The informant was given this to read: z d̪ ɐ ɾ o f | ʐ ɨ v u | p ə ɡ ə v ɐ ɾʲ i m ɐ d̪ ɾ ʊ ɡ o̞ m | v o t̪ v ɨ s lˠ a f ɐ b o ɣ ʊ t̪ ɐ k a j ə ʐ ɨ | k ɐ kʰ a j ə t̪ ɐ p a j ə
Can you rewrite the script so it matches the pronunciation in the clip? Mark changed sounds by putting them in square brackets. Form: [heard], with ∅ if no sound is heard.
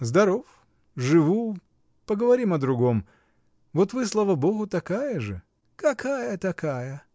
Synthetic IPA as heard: z d̪ ɐ ɾ o f | ʐ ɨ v u | p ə ɡ ə v ɐ ɾʲ i m ɐ d̪ ɾ ʊ ɡ o̞ m | v o t̪ v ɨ s lˠ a [v] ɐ b o ɣ ʊ t̪ ɐ k a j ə ʐ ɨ | k ɐ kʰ a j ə t̪ ɐ [k] a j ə

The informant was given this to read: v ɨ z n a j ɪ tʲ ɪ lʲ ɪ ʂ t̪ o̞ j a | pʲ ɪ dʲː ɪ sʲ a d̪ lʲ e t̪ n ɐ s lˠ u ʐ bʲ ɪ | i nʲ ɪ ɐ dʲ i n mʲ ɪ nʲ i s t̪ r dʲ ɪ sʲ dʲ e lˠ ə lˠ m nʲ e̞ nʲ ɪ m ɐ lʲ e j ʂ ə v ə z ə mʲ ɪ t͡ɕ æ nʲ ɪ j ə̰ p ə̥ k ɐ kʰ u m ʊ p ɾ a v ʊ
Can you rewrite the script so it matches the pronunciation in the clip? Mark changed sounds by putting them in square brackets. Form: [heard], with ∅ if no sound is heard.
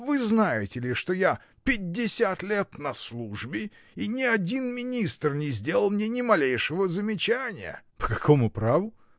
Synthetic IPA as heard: v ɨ z n a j ɪ tʲ ɪ lʲ ɪ ʂ t̪ o̞ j a | pʲ ɪ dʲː ɪ sʲ a [t̪] lʲ e t̪ n ɐ s lˠ u ʐ bʲ ɪ | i nʲ ɪ ɐ dʲ i n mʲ ɪ nʲ i s t̪ r [nʲ] ɪ [zʲ] dʲ e lˠ ə lˠ m nʲ e̞ nʲ ɪ m ɐ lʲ e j ʂ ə v ə z ə mʲ ɪ t͡ɕ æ nʲ ɪ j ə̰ p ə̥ k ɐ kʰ [o] m ʊ p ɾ a v ʊ

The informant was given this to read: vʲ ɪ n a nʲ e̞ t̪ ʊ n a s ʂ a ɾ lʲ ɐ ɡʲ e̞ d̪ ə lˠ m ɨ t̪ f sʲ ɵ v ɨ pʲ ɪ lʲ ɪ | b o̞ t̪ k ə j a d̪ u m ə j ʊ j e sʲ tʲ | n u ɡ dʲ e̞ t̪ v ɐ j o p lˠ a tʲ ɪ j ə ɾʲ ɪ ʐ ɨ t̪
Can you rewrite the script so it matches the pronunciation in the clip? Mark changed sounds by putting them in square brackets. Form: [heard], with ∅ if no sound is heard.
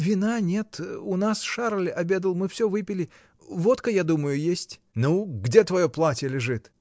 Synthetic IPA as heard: vʲ ɪ n a nʲ e̞ t̪ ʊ n a s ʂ a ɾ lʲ ɐ [bʲ] e̞ d̪ ə lˠ m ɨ [∅] f sʲ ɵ v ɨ pʲ ɪ lʲ ɪ | [v] o̞ t̪ k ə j a d̪ u m ə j ʊ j e sʲ tʲ | n u ɡ dʲ e̞ t̪ v ɐ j o p lˠ a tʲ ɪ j ə [lʲ] ɪ ʐ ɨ t̪

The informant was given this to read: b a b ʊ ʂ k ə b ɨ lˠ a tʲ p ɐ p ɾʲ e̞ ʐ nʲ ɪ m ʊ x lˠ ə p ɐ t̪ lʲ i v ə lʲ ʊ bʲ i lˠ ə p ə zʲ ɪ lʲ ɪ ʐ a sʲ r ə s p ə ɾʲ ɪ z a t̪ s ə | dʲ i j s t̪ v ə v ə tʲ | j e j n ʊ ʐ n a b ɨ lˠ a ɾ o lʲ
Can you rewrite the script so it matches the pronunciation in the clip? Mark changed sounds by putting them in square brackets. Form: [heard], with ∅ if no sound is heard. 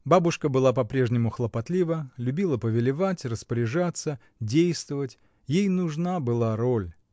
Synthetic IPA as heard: b a b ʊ ʂ k ə b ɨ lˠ a [∅] p ɐ p ɾʲ e̞ ʐ nʲ ɪ m ʊ x lˠ ə p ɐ t̪ lʲ i v ə lʲ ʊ bʲ i lˠ ə p ə [vʲ] ɪ lʲ ɪ [v] a [tʲ] r ə s p ə ɾʲ ɪ [ʐ] a t̪ s ə | dʲ [e] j s t̪ v ə v ə tʲ | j e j n ʊ ʐ n a b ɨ lˠ a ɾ o lʲ

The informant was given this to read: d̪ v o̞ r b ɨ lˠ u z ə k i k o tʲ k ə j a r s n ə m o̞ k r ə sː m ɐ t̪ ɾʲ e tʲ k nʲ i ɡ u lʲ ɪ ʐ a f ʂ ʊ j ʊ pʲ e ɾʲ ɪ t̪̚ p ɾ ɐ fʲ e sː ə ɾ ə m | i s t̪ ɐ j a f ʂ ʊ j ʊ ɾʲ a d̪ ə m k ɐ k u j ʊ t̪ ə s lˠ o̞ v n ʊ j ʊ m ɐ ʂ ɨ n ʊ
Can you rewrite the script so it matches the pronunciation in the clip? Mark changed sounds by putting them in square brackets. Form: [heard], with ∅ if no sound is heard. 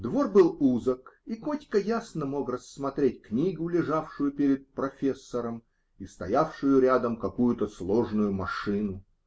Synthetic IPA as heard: d̪ v o̞ r b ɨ lˠ u z ə k i k o tʲ k ə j a [∅] s n ə m o̞ k r ə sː m ɐ t̪ ɾʲ e tʲ k nʲ i ɡ [ʊ] lʲ ɪ ʐ a f ʂ ʊ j ʊ pʲ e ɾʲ ɪ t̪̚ p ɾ ɐ fʲ e sː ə ɾ ə m | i s t̪ ɐ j a f ʂ ʊ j ʊ ɾʲ a d̪ ə m k ɐ k u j ʊ t̪ ə s lˠ o̞ [ʐ] n ʊ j ʊ m ɐ ʂ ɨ n ʊ

